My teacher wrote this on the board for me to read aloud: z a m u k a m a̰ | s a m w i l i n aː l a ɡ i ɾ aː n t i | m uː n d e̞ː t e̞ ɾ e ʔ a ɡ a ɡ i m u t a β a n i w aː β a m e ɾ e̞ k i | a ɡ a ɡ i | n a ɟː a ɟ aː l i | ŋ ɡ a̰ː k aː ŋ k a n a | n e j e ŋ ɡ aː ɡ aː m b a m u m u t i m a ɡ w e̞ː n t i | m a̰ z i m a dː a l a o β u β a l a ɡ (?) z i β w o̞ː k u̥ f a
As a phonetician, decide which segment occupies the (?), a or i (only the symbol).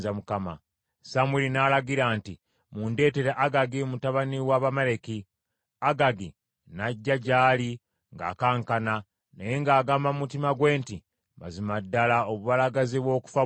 a